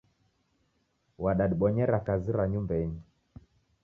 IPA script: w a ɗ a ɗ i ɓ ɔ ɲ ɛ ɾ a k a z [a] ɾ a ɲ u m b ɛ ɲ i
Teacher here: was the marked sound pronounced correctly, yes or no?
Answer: no